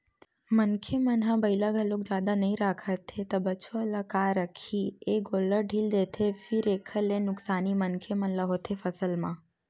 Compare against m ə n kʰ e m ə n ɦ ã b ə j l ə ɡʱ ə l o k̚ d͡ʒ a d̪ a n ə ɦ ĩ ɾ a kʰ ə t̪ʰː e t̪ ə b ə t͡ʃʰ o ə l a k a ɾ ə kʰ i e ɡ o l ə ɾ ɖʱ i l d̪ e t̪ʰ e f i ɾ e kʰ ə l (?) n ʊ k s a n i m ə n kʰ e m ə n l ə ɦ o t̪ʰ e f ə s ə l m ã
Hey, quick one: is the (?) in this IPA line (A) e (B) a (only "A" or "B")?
A